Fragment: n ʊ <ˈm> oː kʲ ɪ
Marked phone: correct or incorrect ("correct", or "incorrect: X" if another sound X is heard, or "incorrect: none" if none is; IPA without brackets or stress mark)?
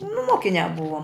correct